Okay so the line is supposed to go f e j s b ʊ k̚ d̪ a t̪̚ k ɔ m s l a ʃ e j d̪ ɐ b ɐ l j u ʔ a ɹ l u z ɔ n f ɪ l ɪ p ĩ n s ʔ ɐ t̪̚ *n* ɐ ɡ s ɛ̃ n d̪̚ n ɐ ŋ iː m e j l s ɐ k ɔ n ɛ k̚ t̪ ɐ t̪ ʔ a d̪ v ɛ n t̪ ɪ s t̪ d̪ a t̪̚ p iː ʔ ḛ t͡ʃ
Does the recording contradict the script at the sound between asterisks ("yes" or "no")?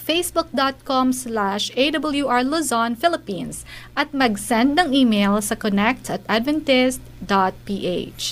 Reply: yes